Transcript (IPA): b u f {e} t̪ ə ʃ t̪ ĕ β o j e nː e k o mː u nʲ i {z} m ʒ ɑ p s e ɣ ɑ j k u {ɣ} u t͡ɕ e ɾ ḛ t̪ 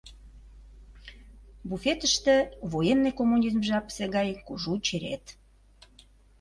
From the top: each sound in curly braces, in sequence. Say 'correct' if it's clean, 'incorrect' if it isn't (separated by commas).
correct, correct, incorrect